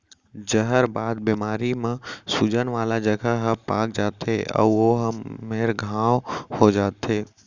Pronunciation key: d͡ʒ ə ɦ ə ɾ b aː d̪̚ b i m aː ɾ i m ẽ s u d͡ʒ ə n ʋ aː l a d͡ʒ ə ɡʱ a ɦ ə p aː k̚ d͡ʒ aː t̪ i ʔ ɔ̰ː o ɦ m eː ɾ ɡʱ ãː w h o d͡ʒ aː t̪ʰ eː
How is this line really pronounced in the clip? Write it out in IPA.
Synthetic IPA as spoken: d͡ʒ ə ɦ ə ɾ b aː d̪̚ b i m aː ɾ i m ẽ s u d͡ʒ ə n ʋ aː l a d͡ʒ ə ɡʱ a ɦ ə p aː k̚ d͡ʒ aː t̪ e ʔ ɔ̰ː o ɦ m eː ɾ ɡʱ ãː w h o d͡ʒ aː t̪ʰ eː